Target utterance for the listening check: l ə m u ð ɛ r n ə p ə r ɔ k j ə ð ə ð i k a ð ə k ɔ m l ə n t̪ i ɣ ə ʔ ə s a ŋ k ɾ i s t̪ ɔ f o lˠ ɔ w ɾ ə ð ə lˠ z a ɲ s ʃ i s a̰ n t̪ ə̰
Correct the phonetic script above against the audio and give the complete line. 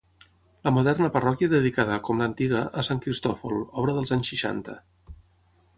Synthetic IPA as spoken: l ə m u ð ɛ r n ə p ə r ɔ k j ə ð ə ð i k a ð ə k ɔ m l ə n t̪ i ɣ ə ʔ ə s a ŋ k ɾ i s t̪ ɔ f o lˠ ɔ β ɾ ə ð ə lˠ z a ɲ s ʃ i ʃ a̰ n t̪ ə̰